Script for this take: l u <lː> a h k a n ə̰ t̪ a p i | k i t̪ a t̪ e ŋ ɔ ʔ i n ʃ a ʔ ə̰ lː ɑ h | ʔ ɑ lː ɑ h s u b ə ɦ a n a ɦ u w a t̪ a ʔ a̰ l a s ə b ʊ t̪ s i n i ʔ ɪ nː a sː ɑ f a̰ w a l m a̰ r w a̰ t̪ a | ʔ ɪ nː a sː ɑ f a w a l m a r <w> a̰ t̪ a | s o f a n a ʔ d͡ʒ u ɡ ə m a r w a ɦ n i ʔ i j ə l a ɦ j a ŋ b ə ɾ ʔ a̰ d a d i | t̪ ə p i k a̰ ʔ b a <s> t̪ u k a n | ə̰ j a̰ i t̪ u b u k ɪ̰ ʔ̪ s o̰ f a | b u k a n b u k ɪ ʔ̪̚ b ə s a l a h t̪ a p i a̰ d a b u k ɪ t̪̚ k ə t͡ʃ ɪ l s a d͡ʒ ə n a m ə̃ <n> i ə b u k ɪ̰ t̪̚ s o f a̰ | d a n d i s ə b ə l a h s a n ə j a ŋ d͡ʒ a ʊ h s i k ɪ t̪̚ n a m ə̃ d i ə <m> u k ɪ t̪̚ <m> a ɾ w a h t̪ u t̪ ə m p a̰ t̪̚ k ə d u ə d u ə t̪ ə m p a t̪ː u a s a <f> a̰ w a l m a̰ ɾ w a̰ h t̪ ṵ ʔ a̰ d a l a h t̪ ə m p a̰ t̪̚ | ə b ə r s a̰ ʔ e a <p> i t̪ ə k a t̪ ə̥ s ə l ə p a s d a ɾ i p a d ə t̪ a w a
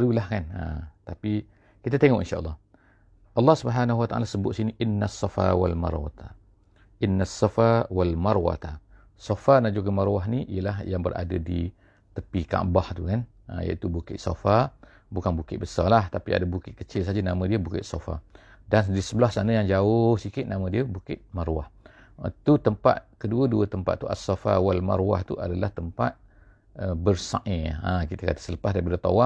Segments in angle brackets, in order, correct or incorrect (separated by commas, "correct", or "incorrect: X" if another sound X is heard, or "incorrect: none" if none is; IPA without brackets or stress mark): incorrect: l, correct, incorrect: h, incorrect: d, incorrect: b, correct, correct, incorrect: k